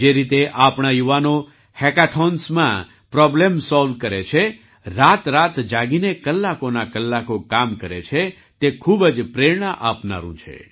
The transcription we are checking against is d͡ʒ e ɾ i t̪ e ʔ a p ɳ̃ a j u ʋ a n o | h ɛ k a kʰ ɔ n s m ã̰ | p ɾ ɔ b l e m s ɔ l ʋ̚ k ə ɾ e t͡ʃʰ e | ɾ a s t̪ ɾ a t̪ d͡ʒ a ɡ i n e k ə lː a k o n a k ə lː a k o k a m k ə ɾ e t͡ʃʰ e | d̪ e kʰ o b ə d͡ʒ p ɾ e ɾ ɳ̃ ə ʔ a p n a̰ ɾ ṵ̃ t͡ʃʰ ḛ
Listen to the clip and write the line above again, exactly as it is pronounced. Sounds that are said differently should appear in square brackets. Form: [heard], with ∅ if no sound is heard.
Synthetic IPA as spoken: d͡ʒ e ɾ i t̪ e ʔ a p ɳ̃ a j u ʋ a n o | h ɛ k a [ʈʰ] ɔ n s m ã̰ | p ɾ ɔ b l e m s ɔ l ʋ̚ k ə ɾ e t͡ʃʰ e | ɾ a [∅] t̪ ɾ a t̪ d͡ʒ a ɡ i n e k ə lː a k o n a k ə lː a k o k a m k ə ɾ e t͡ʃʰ e | [t̪] e kʰ [u] b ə d͡ʒ p ɾ e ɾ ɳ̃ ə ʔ a p n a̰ ɾ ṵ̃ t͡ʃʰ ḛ